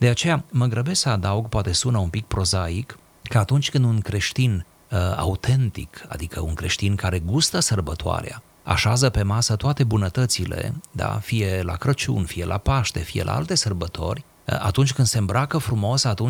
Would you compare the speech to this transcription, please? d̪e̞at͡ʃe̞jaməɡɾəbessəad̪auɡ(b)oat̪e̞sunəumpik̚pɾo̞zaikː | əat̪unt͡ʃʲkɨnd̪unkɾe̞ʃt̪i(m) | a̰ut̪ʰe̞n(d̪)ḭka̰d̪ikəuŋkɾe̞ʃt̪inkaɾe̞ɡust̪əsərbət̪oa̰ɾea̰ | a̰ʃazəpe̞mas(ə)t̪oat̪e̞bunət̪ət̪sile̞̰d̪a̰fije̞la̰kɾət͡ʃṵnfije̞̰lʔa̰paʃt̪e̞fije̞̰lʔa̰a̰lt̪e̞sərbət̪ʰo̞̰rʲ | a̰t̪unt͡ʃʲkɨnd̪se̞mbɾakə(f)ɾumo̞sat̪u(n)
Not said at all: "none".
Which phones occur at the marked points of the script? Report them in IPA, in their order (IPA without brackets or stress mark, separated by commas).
p, n, t̪, ə, f, n